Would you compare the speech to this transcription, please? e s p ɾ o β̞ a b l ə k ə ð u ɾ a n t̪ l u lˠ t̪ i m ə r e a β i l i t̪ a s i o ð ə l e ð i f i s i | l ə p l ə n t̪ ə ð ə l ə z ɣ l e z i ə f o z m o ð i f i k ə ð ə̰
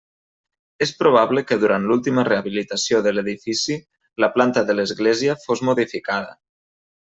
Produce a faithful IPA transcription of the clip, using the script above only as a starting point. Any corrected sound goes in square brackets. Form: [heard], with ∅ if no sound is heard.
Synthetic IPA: e s p ɾ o β̞ a [β] l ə k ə ð u ɾ a n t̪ l u lˠ t̪ i m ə r e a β i l i t̪ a s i o ð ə l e ð i f i s i | l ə p l [a] n t̪ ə ð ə l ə z ɣ l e z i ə f o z m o ð i f i k [a] ð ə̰